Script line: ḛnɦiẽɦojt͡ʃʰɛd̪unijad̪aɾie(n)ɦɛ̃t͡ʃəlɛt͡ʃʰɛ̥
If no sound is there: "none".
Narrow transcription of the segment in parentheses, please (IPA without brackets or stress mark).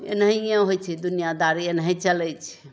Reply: n